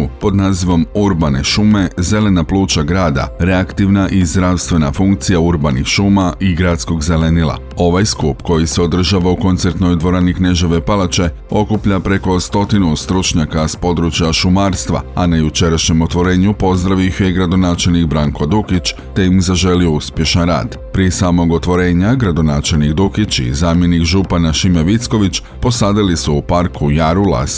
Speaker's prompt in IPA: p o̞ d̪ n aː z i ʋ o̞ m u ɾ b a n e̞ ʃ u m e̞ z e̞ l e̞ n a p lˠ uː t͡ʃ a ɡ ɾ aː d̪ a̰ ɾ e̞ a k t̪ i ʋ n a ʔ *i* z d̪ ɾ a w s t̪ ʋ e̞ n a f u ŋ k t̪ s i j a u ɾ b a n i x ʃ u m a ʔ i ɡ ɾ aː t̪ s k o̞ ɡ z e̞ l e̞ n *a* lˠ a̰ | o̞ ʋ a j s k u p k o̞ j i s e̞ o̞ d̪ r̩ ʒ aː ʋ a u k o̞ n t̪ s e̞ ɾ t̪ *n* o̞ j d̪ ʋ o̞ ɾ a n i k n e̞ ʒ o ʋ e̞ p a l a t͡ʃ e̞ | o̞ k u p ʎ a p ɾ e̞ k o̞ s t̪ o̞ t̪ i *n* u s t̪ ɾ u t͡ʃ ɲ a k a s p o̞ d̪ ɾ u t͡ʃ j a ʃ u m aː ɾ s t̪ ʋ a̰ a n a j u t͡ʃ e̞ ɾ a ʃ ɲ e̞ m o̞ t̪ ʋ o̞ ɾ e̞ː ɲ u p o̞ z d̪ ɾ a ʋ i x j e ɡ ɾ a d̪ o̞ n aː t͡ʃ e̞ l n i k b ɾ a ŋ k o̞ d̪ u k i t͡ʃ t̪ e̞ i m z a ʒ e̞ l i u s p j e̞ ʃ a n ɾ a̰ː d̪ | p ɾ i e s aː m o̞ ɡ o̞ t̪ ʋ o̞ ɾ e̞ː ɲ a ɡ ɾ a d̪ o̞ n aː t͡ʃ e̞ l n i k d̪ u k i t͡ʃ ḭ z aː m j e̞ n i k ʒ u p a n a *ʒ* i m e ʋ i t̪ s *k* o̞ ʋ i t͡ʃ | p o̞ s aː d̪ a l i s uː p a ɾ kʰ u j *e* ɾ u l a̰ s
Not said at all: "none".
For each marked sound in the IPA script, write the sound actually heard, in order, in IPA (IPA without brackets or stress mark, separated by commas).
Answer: i, i, n, n, ʃ, k, a